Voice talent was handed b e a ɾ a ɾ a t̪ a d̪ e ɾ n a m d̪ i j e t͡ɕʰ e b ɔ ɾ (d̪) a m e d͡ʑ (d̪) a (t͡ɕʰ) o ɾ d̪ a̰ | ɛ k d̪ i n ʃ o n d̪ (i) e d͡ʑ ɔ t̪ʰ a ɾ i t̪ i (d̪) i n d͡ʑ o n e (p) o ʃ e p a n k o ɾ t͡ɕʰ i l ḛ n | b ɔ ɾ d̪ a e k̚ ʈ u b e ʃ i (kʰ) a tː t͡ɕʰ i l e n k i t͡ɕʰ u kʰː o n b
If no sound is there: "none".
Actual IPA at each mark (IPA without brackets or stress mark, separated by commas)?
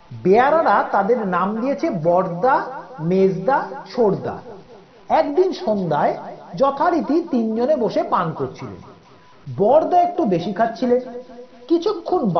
d̪, d̪, t͡ɕʰ, a, t̪, b, kʰ